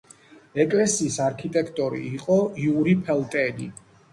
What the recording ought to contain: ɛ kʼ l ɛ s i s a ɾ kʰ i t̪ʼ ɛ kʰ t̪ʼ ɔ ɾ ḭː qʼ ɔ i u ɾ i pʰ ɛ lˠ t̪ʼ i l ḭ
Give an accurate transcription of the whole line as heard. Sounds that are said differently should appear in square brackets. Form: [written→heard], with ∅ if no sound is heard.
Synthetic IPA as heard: ɛ kʼ l ɛ s [i→iː] s a ɾ kʰ i t̪ʼ ɛ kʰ t̪ʼ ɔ ɾ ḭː qʼ ɔ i u ɾ i pʰ ɛ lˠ t̪ʼ [i→ɛ] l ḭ